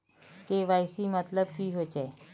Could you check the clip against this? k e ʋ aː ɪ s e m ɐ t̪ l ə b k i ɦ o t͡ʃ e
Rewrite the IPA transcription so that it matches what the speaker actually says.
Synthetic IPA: k e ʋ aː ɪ s i m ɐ t̪ l ə b k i ɦ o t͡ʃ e